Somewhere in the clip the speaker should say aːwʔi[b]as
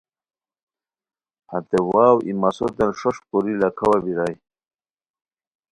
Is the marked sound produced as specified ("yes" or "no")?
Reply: no